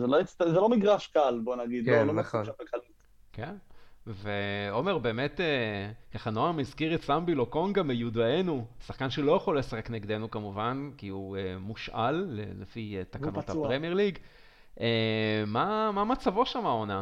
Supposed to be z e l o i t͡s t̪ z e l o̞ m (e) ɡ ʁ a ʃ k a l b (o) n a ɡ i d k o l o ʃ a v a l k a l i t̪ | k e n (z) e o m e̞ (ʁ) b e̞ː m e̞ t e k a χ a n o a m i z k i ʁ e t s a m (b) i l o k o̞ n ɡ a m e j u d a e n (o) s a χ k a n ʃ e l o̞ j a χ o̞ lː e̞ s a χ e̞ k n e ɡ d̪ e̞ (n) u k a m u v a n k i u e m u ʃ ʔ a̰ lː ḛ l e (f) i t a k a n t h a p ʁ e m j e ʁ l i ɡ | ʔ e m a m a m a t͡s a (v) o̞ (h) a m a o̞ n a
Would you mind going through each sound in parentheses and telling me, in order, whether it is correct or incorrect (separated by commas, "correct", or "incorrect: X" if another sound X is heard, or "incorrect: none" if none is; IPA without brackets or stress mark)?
incorrect: i, correct, incorrect: v, correct, correct, incorrect: u, correct, correct, correct, incorrect: ʃ